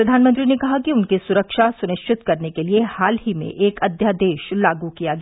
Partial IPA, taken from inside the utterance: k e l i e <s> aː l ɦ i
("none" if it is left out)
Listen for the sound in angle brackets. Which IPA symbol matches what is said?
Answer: h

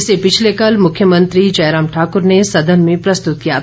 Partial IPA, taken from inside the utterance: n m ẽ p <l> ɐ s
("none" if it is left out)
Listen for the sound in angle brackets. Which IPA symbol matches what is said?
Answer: ɾ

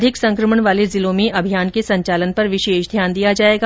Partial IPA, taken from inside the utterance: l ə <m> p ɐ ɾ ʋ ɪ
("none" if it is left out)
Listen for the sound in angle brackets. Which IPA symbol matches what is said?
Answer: n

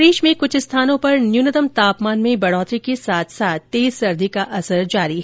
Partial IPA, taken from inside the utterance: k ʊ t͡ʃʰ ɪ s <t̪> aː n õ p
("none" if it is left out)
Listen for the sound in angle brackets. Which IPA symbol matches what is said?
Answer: t̪ʰ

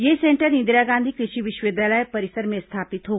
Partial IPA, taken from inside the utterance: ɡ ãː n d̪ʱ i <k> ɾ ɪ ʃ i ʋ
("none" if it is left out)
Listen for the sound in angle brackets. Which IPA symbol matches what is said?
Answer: k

